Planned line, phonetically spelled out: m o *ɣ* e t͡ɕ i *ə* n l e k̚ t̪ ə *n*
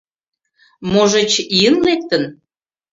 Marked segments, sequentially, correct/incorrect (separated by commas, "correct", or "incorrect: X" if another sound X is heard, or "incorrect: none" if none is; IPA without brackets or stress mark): incorrect: ʒ, correct, correct